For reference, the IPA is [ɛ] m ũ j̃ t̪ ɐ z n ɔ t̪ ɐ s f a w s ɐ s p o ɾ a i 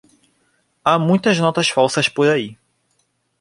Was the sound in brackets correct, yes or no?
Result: no